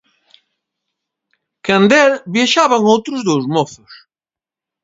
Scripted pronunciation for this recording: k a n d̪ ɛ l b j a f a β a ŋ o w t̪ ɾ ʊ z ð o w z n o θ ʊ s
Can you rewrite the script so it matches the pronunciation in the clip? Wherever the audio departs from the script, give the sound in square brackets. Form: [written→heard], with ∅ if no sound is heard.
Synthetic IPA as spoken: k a n d̪ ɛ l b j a [f→ʃ] a β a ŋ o w t̪ ɾ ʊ z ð o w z [n→m] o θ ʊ s